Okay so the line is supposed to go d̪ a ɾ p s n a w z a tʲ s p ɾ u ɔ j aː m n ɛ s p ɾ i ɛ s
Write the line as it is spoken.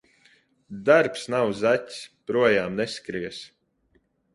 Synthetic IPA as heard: d̪ a ɾ p s n a w z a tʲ s p ɾ u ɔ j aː m n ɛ s k ɾ i ɛ s